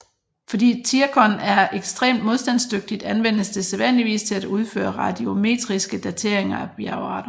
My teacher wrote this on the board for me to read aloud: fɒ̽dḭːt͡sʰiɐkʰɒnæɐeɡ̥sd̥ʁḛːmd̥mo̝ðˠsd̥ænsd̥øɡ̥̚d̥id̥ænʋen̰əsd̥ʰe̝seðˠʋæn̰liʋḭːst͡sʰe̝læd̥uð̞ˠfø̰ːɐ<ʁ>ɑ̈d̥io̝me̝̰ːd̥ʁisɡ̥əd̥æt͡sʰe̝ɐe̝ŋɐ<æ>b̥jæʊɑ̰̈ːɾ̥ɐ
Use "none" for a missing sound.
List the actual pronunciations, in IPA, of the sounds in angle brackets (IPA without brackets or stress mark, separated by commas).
ʁ, æ